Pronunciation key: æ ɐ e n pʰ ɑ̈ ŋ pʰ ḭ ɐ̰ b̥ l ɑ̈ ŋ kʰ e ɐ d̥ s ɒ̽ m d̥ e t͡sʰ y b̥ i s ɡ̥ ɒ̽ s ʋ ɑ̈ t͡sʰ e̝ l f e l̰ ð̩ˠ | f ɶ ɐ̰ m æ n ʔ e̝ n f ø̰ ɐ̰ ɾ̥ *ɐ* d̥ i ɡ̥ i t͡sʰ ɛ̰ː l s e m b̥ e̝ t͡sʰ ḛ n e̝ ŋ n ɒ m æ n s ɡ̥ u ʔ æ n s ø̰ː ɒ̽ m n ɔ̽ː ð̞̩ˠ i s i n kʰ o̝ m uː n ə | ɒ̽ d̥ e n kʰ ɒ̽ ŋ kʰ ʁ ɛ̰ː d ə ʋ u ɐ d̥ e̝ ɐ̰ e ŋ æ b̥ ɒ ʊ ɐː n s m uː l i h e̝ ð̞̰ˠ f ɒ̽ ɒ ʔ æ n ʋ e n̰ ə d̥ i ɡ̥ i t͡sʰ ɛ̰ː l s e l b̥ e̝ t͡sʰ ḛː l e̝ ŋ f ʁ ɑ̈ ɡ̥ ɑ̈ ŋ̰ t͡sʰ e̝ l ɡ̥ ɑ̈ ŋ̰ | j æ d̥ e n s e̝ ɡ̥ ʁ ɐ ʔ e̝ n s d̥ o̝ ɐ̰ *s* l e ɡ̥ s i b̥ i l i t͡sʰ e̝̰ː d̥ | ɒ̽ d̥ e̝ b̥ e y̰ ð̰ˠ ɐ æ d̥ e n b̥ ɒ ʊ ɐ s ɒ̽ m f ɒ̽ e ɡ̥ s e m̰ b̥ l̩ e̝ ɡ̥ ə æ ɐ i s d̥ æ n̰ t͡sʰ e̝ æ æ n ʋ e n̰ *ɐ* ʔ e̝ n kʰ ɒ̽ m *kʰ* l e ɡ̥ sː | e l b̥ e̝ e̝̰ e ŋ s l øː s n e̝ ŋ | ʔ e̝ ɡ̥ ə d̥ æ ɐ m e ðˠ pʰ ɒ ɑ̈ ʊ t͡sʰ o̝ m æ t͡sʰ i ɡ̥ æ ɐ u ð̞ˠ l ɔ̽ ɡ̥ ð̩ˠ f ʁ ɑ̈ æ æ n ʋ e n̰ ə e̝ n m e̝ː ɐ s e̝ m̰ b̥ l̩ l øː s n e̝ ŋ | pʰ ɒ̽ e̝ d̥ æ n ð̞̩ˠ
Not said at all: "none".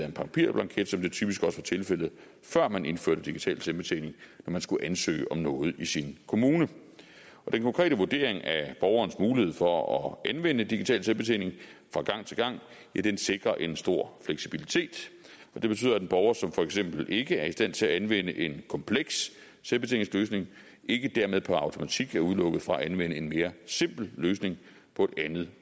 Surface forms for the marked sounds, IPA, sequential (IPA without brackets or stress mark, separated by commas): ə, f, ə, pʰ